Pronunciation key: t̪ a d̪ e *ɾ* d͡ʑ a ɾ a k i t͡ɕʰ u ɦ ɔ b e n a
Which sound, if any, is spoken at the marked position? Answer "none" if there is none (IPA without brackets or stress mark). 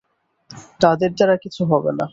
ɾ